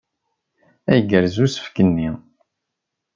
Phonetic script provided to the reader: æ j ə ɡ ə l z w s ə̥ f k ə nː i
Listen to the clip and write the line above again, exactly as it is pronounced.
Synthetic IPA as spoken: æ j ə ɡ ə ɾ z u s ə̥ f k ə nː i